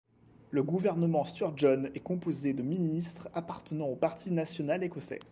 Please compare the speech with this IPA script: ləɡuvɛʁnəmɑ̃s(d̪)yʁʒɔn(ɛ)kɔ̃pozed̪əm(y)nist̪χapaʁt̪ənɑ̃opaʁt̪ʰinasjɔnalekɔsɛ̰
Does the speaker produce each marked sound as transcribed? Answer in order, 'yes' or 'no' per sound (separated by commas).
no, yes, no